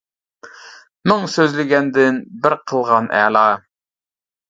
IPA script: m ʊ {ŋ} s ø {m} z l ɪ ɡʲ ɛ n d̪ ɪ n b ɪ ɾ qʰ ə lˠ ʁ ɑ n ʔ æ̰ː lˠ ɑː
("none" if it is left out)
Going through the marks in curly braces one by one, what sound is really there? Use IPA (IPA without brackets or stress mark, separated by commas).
ŋ, none